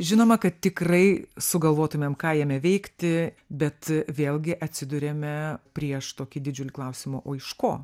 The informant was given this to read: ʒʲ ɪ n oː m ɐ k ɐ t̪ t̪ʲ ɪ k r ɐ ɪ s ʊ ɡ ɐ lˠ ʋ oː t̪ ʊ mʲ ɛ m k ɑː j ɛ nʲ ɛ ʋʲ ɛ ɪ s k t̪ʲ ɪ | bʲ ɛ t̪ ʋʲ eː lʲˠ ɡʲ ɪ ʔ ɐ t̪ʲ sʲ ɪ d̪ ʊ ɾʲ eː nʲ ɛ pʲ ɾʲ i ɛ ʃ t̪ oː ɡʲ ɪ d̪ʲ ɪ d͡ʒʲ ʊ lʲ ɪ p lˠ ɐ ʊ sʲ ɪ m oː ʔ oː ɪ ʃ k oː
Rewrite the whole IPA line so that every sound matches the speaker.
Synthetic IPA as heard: ʒʲ ɪ n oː m ɐ k ɐ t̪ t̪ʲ ɪ k r ɐ ɪ s ʊ ɡ ɐ lˠ ʋ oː t̪ ʊ mʲ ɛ m k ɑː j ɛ mʲ ɛ ʋʲ ɛ ɪ k t̪ʲ ɪ | bʲ ɛ t̪ ʋʲ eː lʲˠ ɡʲ ɪ ʔ ɐ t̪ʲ sʲ ɪ d̪ ʊ ɾʲ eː mʲ ɛ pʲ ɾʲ i ɛ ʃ t̪ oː kʲ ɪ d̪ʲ ɪ d͡ʒʲ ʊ lʲ ɪ k lˠ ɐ ʊ sʲ ɪ m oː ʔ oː ɪ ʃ k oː